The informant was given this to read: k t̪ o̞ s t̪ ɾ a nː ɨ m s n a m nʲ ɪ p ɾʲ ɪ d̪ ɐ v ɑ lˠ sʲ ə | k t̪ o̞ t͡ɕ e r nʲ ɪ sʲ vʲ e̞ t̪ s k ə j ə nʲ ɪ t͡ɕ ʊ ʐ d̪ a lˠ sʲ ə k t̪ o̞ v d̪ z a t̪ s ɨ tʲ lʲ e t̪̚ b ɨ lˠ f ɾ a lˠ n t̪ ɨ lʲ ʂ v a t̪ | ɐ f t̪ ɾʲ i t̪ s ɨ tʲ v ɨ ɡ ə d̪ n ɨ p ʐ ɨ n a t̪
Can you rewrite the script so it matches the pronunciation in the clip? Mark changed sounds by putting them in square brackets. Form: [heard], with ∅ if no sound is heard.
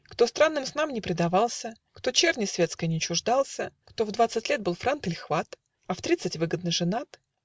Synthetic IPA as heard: k t̪ o̞ s t̪ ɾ a nː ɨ m s n a m nʲ ɪ p ɾʲ ɪ d̪ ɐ v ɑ lˠ sʲ ə | k t̪ o̞ t͡ɕ e r nʲ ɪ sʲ vʲ e̞ t̪ s k ə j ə nʲ ɪ t͡ɕ ʊ ʐ d̪ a lˠ sʲ ə k t̪ o̞ v d̪ [v] a t̪ s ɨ tʲ lʲ e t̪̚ b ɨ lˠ f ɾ a [∅] n t̪ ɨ lʲ [x] v a t̪ | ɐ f t̪ ɾʲ i t̪ s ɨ tʲ v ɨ ɡ ə d̪ n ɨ [∅] ʐ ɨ n a t̪

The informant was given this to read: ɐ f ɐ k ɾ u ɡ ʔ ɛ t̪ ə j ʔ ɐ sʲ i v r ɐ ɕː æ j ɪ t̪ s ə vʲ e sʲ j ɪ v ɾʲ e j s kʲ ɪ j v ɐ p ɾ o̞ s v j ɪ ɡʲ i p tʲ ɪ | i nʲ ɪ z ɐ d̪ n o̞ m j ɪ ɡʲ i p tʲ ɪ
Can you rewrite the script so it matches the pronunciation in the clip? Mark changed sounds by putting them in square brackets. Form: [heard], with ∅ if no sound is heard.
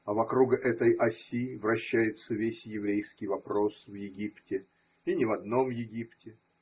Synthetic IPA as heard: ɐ [v] ɐ k ɾ u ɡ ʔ ɛ t̪ ə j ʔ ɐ sʲ i v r ɐ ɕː æ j ɪ t̪ s ə vʲ e sʲ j ɪ v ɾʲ e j s kʲ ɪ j v ɐ p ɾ o̞ s v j ɪ ɡʲ i p tʲ ɪ | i nʲ ɪ [v] ɐ d̪ n o̞ m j ɪ ɡʲ i p tʲ ɪ

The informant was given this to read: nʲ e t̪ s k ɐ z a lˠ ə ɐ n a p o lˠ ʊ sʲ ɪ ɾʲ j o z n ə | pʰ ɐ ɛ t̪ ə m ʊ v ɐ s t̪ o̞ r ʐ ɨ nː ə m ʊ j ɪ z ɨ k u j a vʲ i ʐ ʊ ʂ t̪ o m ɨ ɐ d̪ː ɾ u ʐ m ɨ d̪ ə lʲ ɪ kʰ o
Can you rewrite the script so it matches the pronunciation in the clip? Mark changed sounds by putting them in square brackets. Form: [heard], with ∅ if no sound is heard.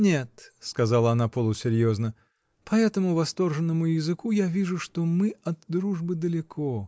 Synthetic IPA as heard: nʲ e t̪ s k ɐ z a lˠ ə ɐ n a p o lˠ ʊ sʲ ɪ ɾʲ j o z n ə | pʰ ɐ ɛ t̪ ə m ʊ v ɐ s t̪ o̞ r ʐ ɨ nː ə m ʊ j ɪ z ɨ k u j a vʲ i ʐ ʊ ʂ t̪ o m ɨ ɐ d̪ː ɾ u ʐ [b] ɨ d̪ ə lʲ ɪ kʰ o

